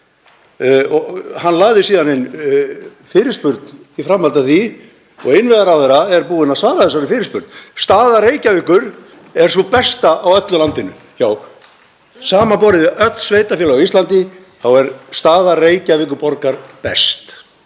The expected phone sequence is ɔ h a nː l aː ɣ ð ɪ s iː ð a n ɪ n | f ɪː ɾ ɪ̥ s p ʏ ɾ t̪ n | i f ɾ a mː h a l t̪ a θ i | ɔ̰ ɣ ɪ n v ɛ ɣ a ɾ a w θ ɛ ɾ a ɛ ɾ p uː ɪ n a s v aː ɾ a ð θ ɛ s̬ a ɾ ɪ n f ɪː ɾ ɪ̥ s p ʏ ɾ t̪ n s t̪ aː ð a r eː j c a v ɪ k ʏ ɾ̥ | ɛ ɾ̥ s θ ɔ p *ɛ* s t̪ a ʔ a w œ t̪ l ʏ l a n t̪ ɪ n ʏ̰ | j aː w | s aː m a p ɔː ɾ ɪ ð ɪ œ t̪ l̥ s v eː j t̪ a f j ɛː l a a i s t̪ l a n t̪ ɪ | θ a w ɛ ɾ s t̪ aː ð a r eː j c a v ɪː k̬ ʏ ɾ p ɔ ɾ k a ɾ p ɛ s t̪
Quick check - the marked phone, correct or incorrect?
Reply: correct